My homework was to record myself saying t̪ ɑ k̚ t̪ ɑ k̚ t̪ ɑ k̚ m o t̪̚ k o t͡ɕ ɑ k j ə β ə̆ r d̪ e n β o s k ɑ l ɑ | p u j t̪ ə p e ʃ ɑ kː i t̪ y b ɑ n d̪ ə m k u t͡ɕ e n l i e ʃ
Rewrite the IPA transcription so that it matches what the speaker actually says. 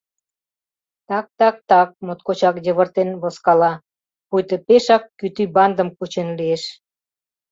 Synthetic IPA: t̪ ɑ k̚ t̪ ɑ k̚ t̪ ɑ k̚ m o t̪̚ k o t͡ɕ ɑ k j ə β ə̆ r t̪ e n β o s k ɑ l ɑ | p u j t̪ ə p e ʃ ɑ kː y t̪ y b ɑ n d̪ ə m k u t͡ɕ e n l i e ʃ

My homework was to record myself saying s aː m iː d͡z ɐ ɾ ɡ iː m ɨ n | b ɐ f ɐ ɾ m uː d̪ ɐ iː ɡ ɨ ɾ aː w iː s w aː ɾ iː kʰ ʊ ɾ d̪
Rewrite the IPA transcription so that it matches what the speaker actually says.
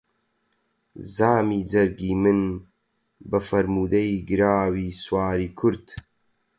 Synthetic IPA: z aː m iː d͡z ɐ ɾ ɡ iː m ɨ n | b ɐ f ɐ ɾ m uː d̪ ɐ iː ɡ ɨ ɾ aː w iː s w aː ɾ iː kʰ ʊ ɾ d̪

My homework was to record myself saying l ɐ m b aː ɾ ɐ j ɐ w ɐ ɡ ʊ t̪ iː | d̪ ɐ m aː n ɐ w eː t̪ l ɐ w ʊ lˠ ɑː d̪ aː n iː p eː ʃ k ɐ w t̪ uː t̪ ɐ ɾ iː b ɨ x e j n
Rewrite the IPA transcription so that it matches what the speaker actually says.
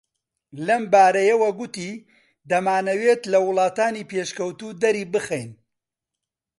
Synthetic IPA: l ɐ m b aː ɾ ɐ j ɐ w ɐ ɡ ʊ t̪ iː | d̪ ɐ m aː n ɐ w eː t̪ l ɐ w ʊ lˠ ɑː t̪ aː n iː p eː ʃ k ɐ w t̪ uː d̪ ɐ ɾ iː b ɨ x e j n

